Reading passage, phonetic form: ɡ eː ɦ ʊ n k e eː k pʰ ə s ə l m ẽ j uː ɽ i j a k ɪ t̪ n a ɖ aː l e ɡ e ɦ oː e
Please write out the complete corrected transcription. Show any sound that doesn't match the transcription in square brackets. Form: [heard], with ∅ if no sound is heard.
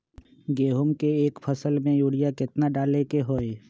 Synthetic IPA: ɡ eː ɦ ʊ [m] k e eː k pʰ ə s ə l m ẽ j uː ɽ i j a k ɪ t̪ n a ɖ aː l e [k] e ɦ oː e